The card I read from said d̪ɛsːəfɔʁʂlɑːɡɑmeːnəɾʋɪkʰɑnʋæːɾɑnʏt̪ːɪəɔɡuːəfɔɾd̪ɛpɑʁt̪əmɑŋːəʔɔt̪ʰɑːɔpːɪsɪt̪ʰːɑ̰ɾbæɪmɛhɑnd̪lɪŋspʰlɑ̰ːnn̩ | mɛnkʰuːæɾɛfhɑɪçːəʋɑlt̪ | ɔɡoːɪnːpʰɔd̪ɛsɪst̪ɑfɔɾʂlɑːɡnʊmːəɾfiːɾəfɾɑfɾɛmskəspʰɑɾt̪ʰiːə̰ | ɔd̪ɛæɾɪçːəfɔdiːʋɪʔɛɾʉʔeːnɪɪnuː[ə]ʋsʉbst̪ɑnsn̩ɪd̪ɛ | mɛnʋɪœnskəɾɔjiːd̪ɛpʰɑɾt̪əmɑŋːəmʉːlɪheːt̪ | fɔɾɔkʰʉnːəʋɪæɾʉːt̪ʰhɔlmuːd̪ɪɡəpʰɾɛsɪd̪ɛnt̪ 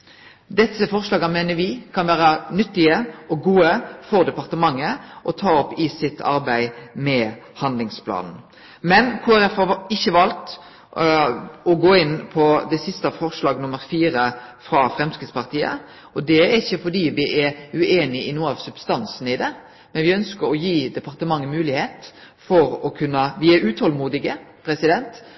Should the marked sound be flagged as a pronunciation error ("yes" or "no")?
yes